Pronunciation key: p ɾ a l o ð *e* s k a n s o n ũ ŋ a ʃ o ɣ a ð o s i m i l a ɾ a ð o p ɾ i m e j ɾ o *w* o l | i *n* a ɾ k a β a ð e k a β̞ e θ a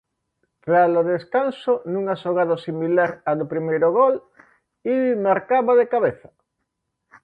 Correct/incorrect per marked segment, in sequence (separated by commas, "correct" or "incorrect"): correct, incorrect, incorrect